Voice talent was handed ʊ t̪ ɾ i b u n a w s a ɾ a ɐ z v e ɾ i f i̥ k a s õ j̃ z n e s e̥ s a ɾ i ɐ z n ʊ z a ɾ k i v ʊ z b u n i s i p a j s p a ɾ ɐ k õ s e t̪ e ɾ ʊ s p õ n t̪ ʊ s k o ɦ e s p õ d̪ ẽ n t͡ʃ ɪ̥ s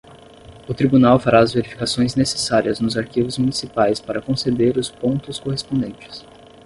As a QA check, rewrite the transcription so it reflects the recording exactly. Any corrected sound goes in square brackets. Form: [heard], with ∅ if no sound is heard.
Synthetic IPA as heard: ʊ t̪ ɾ i b u n a w [f] a ɾ a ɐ z v e ɾ i f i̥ k a s õ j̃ z n e s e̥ s a ɾ i ɐ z n ʊ z a ɾ k i v ʊ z [m] u n i s i p a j s p a ɾ ɐ k õ s e [d̪] e ɾ ʊ s p õ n t̪ ʊ s k o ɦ e s p õ d̪ ẽ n t͡ʃ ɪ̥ s

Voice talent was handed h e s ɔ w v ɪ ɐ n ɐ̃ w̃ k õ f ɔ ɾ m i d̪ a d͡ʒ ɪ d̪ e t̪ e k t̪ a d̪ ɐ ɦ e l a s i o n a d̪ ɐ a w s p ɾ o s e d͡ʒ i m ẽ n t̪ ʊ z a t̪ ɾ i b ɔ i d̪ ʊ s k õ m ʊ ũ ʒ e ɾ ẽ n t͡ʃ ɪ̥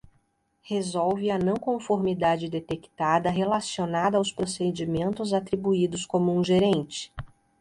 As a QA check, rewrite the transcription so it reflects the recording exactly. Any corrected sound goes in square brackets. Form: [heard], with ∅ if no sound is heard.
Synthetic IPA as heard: h e [z] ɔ w v ɪ ɐ n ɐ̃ w̃ k õ f [o] ɾ m i d̪ a d͡ʒ ɪ d̪ e t̪ e k t̪ a d̪ ɐ ɦ e l a s i o n a d̪ ɐ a w s p ɾ o s e d͡ʒ i m ẽ n t̪ ʊ z a t̪ ɾ i b [u] i d̪ ʊ s k õ m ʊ ũ ʒ e ɾ ẽ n t͡ʃ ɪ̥

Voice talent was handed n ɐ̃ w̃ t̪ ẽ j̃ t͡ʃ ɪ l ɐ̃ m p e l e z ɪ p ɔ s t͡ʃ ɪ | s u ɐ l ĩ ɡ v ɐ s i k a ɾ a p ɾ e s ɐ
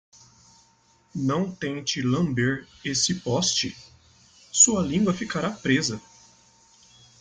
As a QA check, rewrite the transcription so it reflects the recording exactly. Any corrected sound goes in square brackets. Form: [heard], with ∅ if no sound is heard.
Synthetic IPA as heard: n ɐ̃ w̃ t̪ ẽ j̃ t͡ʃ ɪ l ɐ̃ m [b] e [ɾ] e [s] ɪ p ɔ s t͡ʃ ɪ | s u ɐ l ĩ ɡ [w] ɐ [f] i k a ɾ a p ɾ e [z] ɐ

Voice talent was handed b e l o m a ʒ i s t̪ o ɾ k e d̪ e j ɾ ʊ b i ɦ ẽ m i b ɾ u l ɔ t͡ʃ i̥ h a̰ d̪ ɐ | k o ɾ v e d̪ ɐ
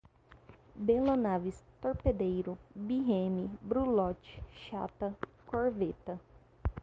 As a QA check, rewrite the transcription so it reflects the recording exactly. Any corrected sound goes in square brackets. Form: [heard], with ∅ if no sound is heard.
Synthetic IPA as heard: b e l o [n] a [v] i s t̪ o ɾ [p] e d̪ e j ɾ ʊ b i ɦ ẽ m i b ɾ u l ɔ t͡ʃ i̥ [ʃ] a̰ [t̪] ɐ | k o ɾ v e [t̪] ɐ

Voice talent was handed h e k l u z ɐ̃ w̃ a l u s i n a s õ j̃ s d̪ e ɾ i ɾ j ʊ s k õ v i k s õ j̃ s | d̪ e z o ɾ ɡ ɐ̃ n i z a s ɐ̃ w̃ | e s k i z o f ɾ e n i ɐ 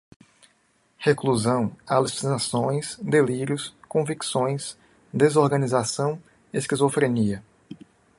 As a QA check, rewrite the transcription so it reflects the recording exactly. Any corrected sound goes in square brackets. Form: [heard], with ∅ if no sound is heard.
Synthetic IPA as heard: h e k l u z ɐ̃ w̃ a l u s i n a s õ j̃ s d̪ e [l] i ɾ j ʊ s k õ v i k s õ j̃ s | d̪ e z o ɾ ɡ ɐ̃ n i z a s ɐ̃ w̃ | e s k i z o f ɾ e n i ɐ

